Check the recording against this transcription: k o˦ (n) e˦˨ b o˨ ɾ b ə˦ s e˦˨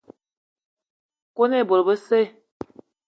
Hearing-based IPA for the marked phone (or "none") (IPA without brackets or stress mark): n